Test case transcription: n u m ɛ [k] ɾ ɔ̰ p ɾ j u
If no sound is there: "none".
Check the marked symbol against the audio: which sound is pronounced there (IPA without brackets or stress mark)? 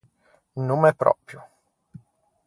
p